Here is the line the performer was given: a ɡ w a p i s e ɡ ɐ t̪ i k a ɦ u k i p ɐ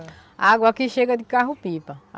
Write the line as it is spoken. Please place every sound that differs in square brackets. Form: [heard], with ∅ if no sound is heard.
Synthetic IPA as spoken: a ɡ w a [k] i [ʃ] e ɡ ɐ [d̪] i k a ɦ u [p] i p ɐ